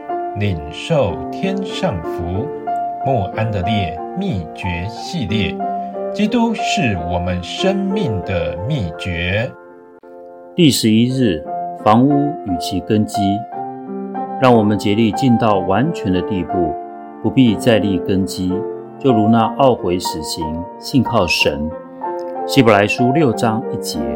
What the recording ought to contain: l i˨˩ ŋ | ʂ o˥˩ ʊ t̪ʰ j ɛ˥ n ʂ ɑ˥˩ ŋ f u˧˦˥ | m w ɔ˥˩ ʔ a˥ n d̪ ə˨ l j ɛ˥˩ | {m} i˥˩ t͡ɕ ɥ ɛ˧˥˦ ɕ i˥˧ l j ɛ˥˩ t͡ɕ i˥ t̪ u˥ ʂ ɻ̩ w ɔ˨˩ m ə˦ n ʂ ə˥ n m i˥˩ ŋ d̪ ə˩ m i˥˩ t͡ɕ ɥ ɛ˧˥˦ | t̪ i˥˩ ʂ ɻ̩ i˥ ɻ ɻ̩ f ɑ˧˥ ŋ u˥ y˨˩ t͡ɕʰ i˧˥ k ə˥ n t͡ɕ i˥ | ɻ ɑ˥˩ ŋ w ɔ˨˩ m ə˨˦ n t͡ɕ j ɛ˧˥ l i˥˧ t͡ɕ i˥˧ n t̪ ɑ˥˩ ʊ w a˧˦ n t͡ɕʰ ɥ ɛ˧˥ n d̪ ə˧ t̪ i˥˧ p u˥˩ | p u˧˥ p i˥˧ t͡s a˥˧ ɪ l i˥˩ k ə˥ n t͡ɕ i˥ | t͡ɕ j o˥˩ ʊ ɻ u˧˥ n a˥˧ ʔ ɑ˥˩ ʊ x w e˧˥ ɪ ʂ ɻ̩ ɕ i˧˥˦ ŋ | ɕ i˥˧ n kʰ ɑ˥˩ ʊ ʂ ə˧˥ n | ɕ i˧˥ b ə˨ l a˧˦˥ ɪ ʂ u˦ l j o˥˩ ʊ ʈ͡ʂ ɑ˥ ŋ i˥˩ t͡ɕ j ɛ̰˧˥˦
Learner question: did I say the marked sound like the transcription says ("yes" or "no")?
yes